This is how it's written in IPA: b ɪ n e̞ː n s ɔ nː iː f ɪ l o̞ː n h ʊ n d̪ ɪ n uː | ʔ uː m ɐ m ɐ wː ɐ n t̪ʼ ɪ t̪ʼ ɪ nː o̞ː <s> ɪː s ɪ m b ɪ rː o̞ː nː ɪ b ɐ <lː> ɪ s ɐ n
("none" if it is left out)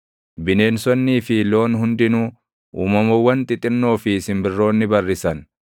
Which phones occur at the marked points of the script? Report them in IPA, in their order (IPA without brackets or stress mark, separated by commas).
f, rː